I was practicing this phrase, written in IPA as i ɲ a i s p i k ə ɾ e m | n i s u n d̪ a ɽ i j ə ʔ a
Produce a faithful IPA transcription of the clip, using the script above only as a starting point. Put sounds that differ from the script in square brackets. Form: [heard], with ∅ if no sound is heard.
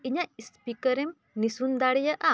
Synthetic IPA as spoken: i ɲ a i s p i k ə ɾ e m | n i s u n d̪ a ɽ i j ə ʔ a